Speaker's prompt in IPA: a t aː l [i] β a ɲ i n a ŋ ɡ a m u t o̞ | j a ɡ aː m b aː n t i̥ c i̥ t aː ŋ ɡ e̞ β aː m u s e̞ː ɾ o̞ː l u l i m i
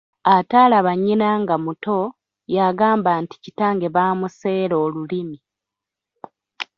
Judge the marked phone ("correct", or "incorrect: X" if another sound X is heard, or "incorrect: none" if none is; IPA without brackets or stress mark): incorrect: a